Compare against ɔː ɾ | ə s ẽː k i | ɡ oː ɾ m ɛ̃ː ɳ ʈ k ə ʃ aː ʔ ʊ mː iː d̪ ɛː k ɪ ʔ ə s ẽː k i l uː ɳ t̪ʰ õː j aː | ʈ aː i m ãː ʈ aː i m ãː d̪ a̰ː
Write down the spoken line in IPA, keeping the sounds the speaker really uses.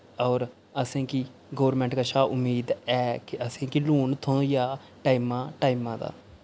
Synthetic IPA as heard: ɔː ɾ | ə s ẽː k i | ɡ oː ɾ m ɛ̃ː ɳ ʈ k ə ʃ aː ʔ ʊ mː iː d̪ ɛː k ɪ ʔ ə s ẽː k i l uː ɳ t̪ʰ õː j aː | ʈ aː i m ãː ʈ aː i m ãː d̪ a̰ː

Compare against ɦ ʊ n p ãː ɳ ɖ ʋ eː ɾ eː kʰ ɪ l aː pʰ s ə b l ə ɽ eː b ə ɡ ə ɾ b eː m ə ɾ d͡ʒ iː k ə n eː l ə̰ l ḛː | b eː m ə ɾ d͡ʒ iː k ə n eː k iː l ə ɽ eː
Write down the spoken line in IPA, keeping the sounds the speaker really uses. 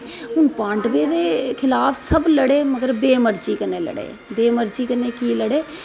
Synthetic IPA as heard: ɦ ʊ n p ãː ɳ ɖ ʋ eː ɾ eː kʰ ɪ l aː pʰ s ə b l ə ɽ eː m ə ɡ ə ɾ b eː m ə ɾ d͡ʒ iː k ə n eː l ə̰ ɽ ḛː | b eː m ə ɾ d͡ʒ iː k ə n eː k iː l ə ɽ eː

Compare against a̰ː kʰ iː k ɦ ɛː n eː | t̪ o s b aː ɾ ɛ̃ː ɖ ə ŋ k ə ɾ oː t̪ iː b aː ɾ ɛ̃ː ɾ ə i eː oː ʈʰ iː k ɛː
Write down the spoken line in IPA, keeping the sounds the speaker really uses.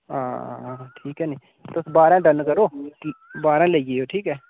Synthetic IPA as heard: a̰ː ʈʰ iː k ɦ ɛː n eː | t̪ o s b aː ɾ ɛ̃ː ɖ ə n k ə ɾ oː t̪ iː b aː ɾ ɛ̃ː l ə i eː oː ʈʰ iː k ɛː

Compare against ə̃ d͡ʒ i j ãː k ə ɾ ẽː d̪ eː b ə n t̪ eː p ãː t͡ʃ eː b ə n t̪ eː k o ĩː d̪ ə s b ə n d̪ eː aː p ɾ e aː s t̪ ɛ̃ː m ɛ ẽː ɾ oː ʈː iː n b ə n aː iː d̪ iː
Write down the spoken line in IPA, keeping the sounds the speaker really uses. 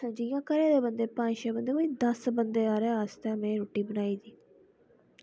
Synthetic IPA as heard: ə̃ d͡ʒ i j ãː k ə ɾ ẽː d̪ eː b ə n d̪ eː p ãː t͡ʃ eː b ə n d̪ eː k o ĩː d̪ ə s b ə n d̪ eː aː ɾ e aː s t̪ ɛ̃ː m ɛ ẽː ɾ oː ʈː iː b ə n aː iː d̪ iː

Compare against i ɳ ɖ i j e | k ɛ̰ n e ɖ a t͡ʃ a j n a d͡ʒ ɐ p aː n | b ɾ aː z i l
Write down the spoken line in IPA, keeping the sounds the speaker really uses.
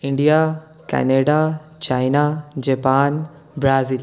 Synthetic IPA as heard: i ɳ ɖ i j a | k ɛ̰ n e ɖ a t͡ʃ a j n a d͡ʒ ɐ p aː n | b ɾ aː z i l

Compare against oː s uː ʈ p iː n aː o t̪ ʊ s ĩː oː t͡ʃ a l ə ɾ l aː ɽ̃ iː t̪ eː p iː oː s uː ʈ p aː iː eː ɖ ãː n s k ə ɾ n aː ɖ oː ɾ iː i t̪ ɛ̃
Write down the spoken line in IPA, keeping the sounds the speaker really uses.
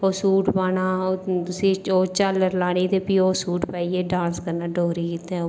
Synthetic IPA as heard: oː s uː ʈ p aː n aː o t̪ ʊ s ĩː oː t͡ʃ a l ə ɾ l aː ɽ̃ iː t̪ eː p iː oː s uː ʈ p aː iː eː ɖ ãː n s k ə ɾ n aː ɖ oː ɾ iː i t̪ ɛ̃

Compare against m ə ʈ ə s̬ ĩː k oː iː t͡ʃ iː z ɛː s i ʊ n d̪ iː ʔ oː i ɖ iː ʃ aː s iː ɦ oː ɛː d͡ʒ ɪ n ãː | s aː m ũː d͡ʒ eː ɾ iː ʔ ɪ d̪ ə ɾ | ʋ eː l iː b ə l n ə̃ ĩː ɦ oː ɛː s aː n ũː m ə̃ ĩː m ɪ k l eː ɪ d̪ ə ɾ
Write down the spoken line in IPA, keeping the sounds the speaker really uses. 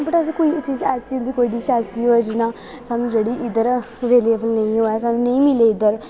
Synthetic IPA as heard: b ə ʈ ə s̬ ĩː k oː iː t͡ʃ iː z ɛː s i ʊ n d̪ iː k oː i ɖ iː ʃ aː s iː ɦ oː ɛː d͡ʒ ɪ n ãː | s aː n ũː d͡ʒ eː ɽ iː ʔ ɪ d̪ ə ɾ | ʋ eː l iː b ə l n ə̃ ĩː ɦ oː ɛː s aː n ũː n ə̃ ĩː m ɪ l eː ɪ d̪ ə ɾ

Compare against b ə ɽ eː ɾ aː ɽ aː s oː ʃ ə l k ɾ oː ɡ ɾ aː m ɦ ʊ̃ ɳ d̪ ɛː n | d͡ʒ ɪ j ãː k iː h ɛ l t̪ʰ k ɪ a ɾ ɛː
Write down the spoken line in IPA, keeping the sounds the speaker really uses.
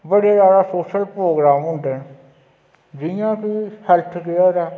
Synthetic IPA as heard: b ə ɽ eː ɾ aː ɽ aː s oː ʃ ə l p ɾ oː ɡ ɾ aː m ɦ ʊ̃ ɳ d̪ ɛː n | d͡ʒ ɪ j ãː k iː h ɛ l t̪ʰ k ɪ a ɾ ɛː

